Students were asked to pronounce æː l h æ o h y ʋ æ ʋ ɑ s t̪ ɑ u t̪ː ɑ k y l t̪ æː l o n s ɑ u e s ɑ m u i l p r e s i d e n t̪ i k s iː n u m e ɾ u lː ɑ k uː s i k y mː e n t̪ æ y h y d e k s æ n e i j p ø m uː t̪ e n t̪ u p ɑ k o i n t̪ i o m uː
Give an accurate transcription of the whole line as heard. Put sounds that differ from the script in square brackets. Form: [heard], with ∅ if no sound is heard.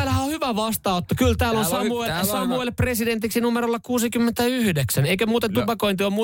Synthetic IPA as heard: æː l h æ o h y ʋ æ ʋ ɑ s t̪ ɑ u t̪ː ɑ k y l t̪ æː l o n s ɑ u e s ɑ m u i l p r e s i d e n t̪ i k s [i] n u m e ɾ [o] lː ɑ k uː s i k y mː e n t̪ æ y h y d e k s æ n e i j [k] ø m uː t̪ e n t̪ u p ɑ k o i n t̪ i o m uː